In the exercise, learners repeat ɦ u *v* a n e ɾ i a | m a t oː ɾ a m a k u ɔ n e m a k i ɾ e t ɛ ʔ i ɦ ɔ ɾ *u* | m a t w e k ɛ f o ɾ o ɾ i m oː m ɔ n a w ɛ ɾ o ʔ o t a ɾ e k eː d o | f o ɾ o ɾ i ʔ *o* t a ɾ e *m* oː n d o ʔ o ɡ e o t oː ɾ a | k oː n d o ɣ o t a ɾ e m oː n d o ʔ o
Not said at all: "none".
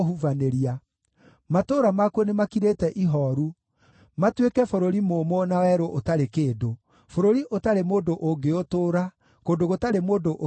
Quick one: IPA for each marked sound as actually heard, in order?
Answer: v, u, o, m

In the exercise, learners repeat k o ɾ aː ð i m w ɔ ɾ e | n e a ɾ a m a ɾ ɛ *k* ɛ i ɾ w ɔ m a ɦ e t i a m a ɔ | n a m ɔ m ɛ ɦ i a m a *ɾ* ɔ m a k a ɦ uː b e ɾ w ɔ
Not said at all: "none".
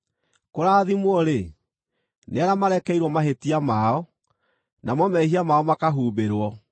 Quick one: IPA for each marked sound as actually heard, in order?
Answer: k, none

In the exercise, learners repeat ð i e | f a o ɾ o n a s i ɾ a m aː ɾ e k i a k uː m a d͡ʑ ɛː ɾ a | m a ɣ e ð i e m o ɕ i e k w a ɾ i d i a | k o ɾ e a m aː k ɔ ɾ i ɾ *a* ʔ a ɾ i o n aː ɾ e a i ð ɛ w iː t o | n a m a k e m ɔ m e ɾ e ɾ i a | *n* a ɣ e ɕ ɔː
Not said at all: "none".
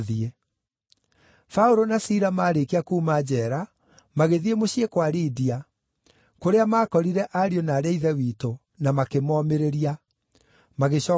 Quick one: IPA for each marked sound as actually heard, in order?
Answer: ɛ, m

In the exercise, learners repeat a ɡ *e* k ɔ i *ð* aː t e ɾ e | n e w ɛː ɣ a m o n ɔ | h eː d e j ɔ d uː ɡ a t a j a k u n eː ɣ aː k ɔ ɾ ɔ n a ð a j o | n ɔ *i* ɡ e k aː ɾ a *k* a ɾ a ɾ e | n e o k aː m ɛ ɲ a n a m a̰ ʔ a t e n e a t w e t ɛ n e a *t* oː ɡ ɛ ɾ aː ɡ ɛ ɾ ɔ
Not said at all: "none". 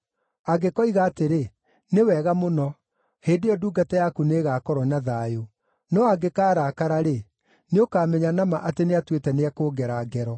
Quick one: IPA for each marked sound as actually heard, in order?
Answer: e, ɣ, a, k, k

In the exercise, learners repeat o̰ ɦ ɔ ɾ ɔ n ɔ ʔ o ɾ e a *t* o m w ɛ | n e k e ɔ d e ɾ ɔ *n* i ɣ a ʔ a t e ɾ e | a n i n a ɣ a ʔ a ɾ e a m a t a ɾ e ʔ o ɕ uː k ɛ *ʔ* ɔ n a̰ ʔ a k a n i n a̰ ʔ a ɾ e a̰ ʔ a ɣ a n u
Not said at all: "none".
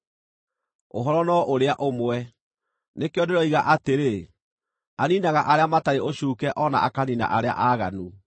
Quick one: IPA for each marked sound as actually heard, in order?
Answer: ʔ, none, ʔ

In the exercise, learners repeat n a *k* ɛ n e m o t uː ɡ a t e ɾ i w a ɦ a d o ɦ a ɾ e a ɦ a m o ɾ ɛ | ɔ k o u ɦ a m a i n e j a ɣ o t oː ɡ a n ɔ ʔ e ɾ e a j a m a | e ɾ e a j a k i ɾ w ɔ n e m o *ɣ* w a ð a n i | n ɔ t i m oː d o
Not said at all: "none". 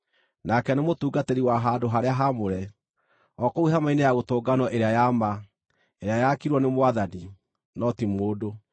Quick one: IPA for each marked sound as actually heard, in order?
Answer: k, none

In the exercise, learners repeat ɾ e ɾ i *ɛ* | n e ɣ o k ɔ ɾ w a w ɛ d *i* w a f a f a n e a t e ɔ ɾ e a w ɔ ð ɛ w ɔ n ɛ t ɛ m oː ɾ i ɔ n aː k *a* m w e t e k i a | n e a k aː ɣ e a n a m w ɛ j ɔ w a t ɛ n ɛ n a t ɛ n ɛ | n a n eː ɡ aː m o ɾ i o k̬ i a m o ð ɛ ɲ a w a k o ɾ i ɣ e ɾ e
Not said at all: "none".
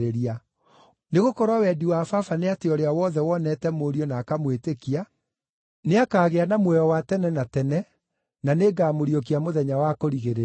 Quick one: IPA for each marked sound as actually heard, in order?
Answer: a, i, a

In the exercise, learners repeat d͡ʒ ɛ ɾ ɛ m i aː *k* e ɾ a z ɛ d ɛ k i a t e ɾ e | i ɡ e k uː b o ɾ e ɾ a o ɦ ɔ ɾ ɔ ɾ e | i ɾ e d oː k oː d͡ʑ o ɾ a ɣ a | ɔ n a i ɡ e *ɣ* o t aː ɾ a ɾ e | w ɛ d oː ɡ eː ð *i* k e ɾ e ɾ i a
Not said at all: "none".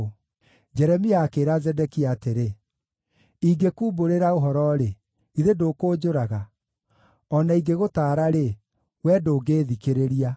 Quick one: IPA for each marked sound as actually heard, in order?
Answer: k, ɣ, i

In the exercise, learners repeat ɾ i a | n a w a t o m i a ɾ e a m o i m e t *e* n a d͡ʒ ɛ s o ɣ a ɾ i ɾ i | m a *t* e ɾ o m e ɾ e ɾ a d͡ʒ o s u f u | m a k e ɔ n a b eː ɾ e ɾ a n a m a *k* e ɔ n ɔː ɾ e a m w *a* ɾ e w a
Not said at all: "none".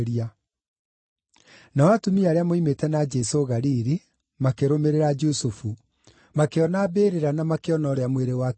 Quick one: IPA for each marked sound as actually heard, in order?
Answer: ɛ, k, k, e

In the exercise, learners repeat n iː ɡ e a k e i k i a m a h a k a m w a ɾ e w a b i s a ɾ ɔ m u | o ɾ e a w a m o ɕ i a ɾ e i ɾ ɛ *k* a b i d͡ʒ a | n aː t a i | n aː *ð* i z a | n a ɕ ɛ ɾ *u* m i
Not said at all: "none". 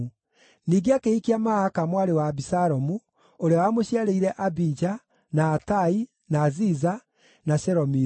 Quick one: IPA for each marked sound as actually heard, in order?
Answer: ʔ, z, ɔ

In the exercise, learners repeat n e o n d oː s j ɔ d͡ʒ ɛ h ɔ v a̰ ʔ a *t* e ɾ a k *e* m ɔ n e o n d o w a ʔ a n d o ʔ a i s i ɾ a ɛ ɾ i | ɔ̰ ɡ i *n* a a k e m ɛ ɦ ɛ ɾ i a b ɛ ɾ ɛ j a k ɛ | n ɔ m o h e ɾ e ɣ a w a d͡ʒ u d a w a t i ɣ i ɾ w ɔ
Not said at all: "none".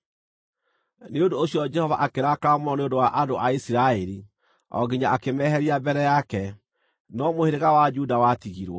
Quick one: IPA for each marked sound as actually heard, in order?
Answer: k, a, ɲ

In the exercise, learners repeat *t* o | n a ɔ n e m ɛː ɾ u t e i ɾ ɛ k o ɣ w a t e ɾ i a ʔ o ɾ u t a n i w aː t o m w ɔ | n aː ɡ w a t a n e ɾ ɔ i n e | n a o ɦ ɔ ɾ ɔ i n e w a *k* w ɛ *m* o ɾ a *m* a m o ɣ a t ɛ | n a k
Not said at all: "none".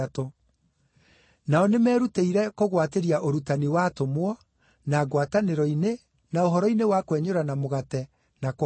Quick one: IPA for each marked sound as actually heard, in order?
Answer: t, k, ɲ, n

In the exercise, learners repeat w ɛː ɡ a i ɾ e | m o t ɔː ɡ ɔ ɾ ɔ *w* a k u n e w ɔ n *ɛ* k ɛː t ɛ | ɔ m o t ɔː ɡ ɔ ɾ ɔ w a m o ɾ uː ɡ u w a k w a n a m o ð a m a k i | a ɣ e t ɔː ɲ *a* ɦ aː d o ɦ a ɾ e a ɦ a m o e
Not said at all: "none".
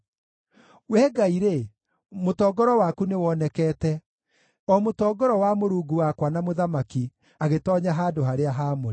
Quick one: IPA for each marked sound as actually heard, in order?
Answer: w, ɛ, a

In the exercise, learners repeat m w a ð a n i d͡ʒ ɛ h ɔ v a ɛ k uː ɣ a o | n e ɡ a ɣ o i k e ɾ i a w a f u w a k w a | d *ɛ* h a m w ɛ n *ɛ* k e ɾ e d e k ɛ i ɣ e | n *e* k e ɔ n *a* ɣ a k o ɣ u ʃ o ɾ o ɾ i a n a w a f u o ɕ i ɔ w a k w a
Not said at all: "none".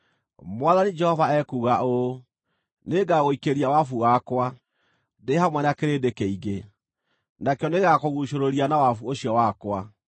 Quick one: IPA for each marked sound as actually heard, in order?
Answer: e, a, a, e

